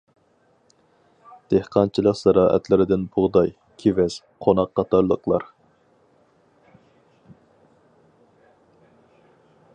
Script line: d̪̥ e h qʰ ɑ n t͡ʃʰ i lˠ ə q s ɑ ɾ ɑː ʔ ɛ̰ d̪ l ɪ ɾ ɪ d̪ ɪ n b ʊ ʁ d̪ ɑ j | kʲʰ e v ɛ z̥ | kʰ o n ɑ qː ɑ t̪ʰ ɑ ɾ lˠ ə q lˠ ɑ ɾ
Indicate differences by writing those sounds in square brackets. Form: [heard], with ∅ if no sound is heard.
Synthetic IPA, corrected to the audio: d̪̥ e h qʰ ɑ n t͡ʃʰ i lˠ ə q s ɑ ɾ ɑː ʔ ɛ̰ [t̪] l ɪ ɾ ɪ d̪ ɪ n b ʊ ʁ d̪ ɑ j | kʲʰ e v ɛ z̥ | [qʰ] o n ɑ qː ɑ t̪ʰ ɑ ɾ lˠ ə q lˠ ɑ ɾ

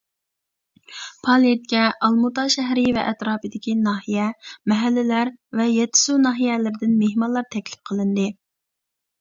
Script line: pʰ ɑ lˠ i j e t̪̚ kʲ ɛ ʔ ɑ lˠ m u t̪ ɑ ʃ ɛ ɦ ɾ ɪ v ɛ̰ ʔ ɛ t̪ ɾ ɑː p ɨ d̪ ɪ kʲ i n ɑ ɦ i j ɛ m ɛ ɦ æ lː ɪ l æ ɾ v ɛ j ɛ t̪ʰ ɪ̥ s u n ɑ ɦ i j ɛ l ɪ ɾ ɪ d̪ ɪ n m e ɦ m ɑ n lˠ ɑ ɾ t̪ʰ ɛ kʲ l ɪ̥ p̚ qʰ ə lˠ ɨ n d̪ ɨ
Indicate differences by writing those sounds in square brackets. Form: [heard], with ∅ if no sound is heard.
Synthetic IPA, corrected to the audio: pʰ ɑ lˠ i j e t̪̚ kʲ ɛ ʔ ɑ lˠ m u t̪ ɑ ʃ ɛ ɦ ɾ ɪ v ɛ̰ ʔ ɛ t̪ ɾ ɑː p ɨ d̪ ɪ kʲ i n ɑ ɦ i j ɛ m ɛ ɦ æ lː ɪ l æ ɾ v ɛ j ɛ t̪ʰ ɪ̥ s u n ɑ ɦ i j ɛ l ɪ ɾ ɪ d̪ ɪ n m e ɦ m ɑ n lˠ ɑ ɾ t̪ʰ ɛ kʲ l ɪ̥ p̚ qʰ ə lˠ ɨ n d̪ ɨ

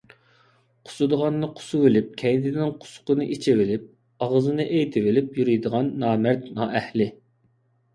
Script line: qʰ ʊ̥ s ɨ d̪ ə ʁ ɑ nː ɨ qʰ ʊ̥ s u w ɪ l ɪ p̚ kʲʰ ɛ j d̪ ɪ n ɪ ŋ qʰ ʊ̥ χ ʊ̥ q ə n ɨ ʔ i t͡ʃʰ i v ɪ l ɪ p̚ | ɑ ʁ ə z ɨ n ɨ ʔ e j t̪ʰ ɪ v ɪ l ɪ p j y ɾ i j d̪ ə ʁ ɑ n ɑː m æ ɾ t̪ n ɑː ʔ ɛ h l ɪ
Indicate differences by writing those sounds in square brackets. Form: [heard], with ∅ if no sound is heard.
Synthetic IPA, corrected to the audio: qʰ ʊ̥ s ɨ d̪ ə ʁ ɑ nː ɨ qʰ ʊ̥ s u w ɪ l ɪ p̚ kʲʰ ɛ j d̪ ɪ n ɪ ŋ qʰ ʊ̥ [s] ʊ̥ q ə n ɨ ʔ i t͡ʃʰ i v ɪ l ɪ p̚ | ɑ ʁ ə z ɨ n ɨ ʔ e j t̪ʰ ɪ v ɪ l ɪ p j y ɾ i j d̪ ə ʁ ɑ [nː] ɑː m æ ɾ t̪ n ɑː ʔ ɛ h l ɪ

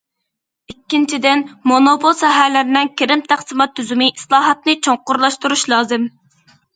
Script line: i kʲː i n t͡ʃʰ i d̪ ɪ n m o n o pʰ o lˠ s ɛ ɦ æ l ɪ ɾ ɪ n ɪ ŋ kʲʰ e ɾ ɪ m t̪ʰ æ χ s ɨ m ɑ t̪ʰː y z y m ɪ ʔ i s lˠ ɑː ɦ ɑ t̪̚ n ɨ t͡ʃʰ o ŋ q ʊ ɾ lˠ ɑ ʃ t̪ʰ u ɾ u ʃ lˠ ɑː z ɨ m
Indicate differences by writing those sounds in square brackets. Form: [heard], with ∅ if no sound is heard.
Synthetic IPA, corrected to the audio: i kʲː i n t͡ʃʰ i d̪ ɪ n m o n o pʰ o lˠ s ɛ ɦ æ l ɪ ɾ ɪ n ɪ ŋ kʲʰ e ɾ ɪ m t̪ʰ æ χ s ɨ m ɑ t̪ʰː y z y m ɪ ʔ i s lˠ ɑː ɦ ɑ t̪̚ n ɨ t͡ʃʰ o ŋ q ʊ ɾ lˠ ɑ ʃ [t̪] u ɾ u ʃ lˠ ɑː z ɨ m

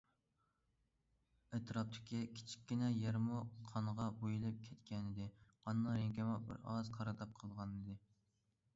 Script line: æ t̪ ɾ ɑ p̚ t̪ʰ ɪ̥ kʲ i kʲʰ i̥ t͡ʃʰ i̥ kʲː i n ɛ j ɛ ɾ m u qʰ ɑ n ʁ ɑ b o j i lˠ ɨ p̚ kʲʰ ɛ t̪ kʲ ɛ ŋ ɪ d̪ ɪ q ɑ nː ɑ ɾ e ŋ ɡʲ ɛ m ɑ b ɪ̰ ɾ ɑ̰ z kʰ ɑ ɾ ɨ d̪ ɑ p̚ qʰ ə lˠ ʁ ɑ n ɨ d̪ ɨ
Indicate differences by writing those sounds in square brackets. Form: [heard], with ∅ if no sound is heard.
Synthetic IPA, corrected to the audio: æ t̪ ɾ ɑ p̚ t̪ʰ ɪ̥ kʲ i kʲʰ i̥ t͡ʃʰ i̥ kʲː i n ɛ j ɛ ɾ m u qʰ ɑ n ʁ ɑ b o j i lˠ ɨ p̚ kʲʰ ɛ t̪ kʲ ɛ [n] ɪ d̪ ɪ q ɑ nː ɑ ɾ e ŋ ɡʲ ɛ m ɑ b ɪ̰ ɾ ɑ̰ z [qʰ] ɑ ɾ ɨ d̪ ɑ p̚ qʰ ə lˠ ʁ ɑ n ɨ d̪ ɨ

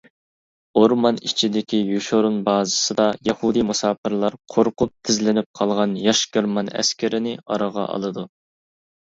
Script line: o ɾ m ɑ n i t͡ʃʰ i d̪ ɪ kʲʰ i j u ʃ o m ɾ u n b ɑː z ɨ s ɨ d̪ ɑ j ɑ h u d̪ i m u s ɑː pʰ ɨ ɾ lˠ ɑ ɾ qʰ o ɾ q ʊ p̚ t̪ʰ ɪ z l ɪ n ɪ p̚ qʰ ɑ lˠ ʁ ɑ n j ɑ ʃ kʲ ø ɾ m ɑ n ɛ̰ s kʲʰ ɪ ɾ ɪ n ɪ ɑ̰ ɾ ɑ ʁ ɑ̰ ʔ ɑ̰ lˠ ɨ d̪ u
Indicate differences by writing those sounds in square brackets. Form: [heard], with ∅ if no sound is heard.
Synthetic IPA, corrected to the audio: o ɾ m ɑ n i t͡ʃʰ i d̪ ɪ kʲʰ i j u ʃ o [∅] ɾ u n b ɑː z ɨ s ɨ d̪ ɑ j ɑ h u d̪ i m u s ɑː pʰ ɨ ɾ lˠ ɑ ɾ qʰ o ɾ q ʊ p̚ t̪ʰ ɪ z l ɪ n ɪ p̚ qʰ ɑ lˠ ʁ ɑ n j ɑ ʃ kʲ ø ɾ m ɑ n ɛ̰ s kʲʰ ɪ ɾ ɪ n ɪ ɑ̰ ɾ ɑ ʁ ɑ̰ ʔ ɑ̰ lˠ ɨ d̪ u

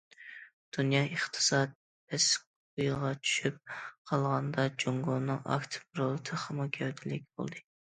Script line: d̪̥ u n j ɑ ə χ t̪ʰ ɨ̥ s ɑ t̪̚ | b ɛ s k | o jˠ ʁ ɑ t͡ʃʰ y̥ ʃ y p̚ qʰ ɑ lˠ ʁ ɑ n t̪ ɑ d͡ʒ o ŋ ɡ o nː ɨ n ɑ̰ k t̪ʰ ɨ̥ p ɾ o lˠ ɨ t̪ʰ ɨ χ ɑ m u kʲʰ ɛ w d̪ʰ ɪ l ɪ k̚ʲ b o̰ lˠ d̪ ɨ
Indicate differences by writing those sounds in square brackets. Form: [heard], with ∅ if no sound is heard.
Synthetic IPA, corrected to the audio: d̪̥ u n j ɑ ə χ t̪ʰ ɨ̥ s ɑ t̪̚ | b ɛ s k | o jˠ ʁ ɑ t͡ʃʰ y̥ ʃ y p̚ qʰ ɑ lˠ ʁ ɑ n [d̪] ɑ d͡ʒ o ŋ ɡ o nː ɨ [ŋ] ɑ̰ k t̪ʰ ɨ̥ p ɾ o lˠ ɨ t̪ʰ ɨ χ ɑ m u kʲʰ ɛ w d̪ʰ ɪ l ɪ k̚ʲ b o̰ lˠ d̪ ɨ

